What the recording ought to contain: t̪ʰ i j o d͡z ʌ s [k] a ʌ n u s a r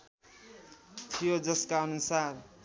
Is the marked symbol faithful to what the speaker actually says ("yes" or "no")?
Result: yes